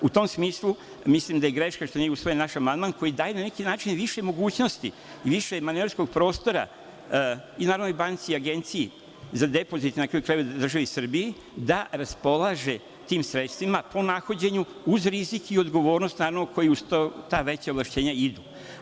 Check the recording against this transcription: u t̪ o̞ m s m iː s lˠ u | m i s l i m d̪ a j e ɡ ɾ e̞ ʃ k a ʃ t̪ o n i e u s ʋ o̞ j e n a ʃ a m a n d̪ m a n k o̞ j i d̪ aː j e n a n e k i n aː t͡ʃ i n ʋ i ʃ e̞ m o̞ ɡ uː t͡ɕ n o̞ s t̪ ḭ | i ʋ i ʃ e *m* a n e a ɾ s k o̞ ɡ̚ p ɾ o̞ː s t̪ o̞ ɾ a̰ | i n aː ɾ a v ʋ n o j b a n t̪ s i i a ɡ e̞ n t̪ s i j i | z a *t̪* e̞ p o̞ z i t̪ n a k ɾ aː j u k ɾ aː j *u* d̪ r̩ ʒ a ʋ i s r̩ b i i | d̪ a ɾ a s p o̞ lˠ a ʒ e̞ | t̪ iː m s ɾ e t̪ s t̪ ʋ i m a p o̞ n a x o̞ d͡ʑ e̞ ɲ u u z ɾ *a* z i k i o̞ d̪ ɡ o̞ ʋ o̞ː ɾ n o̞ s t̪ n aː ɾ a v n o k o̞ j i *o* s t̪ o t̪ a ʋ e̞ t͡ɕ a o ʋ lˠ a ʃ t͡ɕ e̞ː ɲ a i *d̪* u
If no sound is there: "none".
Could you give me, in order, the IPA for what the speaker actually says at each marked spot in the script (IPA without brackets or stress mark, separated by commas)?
m, d̪, u, i, u, d̪